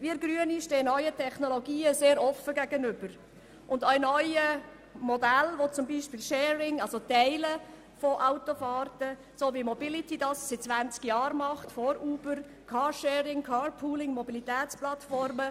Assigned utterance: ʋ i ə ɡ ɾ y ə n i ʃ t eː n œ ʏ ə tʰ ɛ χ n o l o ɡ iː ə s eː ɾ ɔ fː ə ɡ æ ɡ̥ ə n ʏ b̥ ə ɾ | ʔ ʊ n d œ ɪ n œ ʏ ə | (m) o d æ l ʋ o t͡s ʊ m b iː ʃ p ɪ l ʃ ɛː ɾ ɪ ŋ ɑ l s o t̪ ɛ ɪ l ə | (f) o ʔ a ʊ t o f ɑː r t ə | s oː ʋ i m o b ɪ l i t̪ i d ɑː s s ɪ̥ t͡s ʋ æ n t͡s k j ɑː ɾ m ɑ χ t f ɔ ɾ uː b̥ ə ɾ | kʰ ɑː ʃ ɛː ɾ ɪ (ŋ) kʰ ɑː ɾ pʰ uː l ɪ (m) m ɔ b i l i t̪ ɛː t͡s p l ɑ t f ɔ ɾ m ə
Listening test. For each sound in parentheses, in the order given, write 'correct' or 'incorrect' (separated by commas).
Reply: correct, correct, correct, incorrect